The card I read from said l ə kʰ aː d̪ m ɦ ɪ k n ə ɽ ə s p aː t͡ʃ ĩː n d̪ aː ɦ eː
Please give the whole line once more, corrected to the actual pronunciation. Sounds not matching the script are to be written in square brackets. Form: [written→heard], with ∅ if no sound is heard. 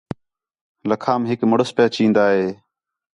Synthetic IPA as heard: l ə kʰ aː [d̪→∅] m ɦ ɪ k [n→m] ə ɽ ə s p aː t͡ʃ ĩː n d̪ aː ɦ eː